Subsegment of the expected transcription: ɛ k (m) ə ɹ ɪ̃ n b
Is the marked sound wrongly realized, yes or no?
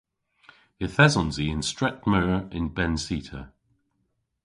no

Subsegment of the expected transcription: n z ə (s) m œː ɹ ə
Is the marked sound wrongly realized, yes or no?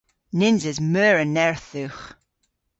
yes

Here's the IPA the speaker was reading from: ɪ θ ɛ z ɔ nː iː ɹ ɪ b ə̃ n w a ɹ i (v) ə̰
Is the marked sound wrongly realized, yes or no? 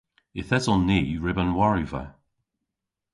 no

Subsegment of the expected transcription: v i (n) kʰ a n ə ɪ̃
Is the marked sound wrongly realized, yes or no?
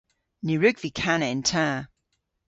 yes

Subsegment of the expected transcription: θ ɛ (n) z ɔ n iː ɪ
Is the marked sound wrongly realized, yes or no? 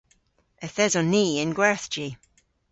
yes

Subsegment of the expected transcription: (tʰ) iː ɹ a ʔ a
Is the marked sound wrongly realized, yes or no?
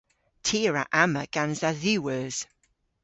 no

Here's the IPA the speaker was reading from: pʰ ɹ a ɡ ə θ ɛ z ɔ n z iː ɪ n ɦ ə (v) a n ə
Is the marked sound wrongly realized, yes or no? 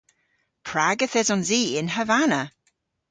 no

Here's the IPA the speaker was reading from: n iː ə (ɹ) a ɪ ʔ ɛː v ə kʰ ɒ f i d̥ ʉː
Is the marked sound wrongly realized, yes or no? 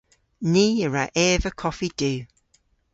no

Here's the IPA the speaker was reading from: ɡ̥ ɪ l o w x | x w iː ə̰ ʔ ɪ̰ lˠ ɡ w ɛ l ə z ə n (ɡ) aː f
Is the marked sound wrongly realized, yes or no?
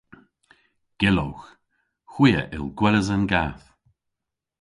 no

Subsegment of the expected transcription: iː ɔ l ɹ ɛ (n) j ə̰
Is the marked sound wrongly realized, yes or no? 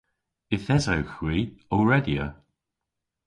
yes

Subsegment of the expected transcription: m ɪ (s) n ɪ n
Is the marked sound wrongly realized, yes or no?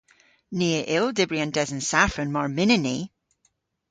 yes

